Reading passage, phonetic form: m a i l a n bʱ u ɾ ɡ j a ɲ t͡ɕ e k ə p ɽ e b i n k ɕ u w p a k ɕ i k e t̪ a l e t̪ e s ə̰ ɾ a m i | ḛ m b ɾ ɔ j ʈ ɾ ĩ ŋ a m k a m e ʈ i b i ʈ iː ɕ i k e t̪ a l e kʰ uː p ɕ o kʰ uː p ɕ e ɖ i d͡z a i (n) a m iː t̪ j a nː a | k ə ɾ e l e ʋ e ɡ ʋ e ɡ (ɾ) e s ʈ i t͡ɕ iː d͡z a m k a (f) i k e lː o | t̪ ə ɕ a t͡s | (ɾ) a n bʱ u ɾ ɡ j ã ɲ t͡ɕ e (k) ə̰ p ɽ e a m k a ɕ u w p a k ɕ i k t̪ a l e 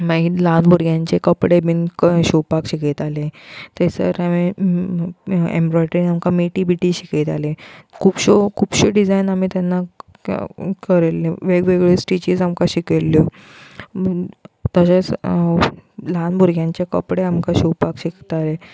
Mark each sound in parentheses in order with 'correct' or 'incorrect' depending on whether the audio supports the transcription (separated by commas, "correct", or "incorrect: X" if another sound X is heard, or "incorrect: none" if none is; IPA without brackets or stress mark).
correct, incorrect: ɭ, incorrect: ɕ, incorrect: l, correct